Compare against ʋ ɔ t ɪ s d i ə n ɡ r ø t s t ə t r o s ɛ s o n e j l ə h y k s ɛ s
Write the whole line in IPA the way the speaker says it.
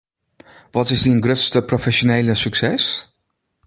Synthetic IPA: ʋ ɔ t ɪ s d i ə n ɡ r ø t s t ə p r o f ɛ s o n e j l ə s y k s ɛ s